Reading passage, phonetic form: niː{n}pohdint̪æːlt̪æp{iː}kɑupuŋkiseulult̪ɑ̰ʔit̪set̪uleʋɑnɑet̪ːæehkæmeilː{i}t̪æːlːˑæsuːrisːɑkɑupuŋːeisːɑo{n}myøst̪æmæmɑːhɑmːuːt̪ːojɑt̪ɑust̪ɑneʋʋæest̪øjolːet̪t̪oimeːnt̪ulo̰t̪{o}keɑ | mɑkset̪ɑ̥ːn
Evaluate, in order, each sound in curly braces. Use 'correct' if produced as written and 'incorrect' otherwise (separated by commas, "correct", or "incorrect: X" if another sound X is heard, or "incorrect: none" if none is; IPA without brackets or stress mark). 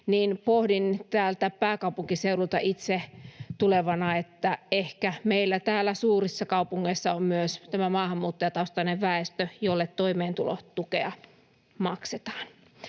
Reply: correct, incorrect: æː, incorrect: æ, incorrect: m, incorrect: u